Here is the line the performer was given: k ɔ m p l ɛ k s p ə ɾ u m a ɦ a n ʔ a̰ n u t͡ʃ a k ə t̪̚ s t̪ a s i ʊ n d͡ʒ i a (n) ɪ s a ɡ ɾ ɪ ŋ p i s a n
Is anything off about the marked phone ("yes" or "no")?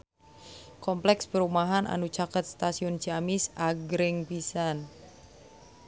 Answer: yes